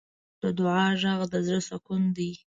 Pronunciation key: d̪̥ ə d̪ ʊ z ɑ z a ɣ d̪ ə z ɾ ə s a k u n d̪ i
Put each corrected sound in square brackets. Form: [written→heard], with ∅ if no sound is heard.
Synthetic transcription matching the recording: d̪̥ ə d̪ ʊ [z→ʕ] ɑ [z→ʒ] a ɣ d̪ ə z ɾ ə s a k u n d̪ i